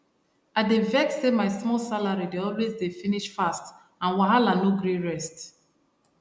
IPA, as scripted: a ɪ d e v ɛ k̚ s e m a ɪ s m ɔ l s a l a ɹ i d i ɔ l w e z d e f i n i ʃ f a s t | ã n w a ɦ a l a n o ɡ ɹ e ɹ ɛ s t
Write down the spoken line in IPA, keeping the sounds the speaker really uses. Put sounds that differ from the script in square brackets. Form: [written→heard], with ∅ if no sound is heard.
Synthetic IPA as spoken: a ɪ d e v ɛ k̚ s e m a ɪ s m ɔ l s a l a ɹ i d [i→e] ɔ l w e z d e f i n i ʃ f a s t | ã n w a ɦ a l a n o ɡ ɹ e ɹ ɛ s t